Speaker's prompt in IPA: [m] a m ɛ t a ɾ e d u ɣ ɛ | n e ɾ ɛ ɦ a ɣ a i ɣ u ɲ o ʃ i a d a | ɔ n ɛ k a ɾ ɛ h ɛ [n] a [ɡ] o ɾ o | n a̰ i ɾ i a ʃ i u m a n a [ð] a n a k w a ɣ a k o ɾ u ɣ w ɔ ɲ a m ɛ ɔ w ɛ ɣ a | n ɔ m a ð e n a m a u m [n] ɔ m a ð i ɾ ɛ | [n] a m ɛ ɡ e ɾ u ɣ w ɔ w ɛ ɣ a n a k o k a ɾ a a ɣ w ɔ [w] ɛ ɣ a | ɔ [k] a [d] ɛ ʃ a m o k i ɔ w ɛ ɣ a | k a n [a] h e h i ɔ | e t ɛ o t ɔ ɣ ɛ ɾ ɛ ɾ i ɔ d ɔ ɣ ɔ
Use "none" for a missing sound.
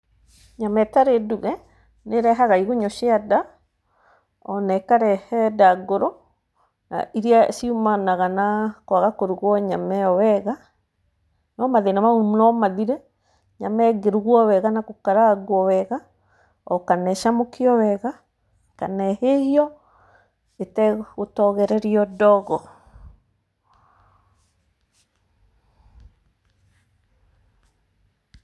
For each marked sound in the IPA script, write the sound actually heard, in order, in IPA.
ɲ, d, ɡ, ɣ, n, ɲ, w, k, n, ɛ

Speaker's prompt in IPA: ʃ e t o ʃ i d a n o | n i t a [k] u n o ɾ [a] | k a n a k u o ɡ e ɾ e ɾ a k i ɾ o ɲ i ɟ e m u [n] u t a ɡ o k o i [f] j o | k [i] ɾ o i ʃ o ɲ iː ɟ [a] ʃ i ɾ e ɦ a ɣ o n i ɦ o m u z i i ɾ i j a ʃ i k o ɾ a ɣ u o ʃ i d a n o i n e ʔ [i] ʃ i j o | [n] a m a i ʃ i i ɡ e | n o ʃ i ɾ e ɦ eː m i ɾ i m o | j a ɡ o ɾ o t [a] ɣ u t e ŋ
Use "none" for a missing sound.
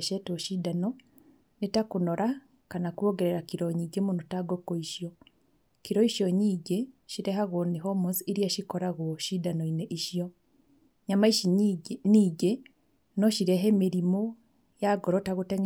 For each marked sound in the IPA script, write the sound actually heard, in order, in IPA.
k, a, n, ʃ, i, e, i, ɲ, a

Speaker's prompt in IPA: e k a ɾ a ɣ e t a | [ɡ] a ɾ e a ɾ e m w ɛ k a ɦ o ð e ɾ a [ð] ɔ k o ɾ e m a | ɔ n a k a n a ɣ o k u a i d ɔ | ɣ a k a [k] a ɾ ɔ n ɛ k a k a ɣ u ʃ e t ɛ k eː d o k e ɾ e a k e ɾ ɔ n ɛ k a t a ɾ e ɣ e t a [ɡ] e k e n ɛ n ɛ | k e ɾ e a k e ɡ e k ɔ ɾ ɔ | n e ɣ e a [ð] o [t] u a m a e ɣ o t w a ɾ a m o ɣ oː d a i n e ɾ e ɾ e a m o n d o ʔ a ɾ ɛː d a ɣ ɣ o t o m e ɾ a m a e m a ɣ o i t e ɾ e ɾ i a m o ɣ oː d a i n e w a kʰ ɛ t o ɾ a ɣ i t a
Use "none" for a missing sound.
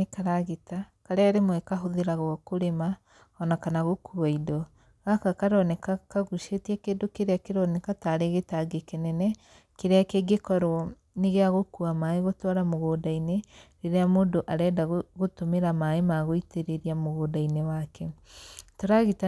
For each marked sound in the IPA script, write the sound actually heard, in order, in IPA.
k, ɣ, k, ɡ, ɣ, k

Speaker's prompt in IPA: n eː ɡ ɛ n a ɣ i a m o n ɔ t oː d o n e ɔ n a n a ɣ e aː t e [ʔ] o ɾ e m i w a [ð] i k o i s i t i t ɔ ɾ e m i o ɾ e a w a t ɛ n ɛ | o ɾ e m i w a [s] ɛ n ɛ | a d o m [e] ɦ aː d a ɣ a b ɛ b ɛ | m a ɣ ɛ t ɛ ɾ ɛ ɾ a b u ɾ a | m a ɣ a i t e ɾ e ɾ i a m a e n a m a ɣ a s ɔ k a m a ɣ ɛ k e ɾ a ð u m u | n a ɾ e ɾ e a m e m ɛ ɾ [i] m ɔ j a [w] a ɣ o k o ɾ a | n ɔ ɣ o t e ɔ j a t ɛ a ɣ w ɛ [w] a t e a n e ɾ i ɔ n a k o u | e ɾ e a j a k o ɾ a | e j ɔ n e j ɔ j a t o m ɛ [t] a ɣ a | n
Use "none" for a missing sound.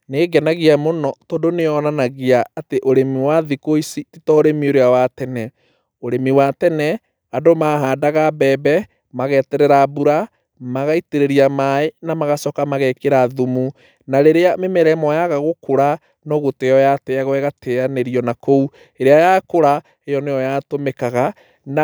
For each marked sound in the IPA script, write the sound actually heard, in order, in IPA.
ʔ, ð, t, a, ɛ, ɣ, ɣ, k

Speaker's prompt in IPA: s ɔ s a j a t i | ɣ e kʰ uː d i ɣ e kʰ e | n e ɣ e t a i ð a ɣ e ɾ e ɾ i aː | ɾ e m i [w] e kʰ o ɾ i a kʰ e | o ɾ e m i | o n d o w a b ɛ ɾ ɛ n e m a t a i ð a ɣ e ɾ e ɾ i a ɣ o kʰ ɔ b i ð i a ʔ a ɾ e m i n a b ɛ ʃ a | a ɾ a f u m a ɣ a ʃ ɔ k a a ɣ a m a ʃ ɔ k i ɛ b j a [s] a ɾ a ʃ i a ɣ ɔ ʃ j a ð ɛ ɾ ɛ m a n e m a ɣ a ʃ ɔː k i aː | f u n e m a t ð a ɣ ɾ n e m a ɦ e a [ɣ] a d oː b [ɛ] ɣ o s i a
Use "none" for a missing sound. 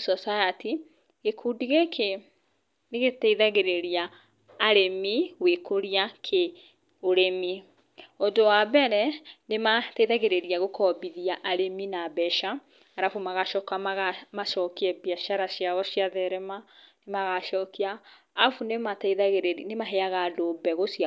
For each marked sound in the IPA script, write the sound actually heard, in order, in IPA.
w, ʃ, ɣ, ɛ

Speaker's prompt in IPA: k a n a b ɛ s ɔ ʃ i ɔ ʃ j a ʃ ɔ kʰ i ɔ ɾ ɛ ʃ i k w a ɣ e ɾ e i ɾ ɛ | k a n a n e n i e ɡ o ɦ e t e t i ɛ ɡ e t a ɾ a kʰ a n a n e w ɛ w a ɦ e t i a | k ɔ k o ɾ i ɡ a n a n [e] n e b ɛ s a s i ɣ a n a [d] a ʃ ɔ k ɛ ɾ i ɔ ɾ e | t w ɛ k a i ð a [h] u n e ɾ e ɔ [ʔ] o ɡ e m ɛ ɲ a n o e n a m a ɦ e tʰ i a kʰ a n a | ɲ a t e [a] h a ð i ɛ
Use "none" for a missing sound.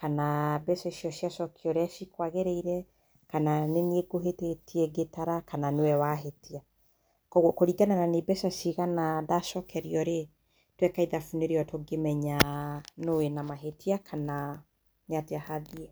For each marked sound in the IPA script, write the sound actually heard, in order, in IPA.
a, d, f, t, a

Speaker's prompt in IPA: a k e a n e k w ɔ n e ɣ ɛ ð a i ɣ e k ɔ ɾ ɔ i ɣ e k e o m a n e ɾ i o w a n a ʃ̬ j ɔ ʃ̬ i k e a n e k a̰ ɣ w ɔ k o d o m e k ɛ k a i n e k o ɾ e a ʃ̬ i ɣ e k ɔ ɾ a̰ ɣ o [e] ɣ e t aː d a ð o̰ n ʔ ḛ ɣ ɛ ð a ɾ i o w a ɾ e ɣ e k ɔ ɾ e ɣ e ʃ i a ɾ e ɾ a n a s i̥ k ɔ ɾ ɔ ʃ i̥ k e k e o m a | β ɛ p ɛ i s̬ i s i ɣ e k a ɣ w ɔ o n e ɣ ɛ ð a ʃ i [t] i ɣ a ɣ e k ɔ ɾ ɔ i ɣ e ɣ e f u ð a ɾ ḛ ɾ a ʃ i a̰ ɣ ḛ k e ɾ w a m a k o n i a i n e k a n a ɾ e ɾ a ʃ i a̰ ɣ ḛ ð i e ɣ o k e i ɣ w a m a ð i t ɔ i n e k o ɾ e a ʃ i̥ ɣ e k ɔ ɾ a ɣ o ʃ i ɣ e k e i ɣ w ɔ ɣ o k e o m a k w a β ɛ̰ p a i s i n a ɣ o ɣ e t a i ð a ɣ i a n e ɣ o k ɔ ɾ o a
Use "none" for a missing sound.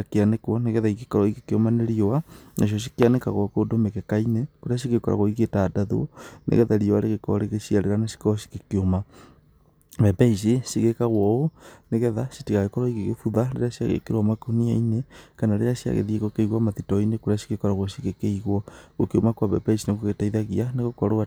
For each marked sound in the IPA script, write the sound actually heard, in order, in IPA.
i, t

